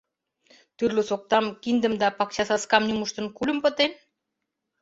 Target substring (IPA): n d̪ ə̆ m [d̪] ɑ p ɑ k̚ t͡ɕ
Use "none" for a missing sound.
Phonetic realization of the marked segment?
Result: d̪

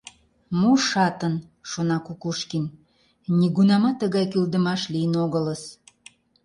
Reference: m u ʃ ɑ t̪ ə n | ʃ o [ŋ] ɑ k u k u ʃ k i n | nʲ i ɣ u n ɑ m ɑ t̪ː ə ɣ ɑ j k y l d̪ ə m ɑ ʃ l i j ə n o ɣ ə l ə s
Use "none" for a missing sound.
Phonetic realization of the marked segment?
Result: n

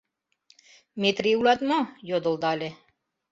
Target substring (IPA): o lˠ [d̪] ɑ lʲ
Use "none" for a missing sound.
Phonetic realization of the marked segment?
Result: d̪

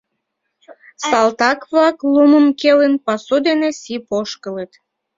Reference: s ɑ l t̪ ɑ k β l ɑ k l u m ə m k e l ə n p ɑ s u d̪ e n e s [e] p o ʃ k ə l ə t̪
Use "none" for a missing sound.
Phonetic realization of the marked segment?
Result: i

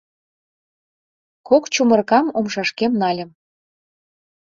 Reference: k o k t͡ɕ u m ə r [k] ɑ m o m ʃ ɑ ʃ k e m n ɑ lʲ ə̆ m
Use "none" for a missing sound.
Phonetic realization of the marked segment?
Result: k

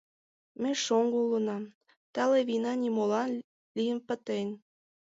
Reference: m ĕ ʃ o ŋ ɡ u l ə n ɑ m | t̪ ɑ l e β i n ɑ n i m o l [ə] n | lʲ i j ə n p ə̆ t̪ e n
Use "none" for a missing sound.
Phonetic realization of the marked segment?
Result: ɑ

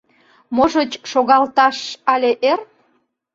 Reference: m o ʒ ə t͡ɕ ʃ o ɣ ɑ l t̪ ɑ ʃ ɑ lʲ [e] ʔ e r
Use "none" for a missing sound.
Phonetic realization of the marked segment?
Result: e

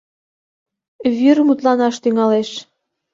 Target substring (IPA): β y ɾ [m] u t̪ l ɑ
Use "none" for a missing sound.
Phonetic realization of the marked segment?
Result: m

